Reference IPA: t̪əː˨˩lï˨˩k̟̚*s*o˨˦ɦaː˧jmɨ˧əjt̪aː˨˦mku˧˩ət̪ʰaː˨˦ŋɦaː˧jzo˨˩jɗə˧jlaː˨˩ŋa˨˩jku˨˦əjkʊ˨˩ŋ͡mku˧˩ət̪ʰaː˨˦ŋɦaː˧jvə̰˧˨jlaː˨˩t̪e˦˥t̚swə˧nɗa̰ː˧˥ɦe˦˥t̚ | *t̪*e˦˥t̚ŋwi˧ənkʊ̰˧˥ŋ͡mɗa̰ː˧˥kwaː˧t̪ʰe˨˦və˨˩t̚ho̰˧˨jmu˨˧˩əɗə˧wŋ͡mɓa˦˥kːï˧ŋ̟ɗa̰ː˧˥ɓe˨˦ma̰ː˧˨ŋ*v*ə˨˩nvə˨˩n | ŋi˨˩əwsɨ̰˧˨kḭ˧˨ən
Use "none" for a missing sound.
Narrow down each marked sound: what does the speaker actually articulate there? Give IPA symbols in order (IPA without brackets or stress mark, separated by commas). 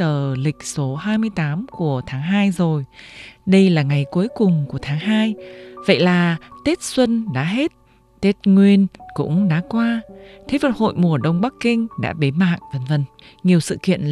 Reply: s, t̪, v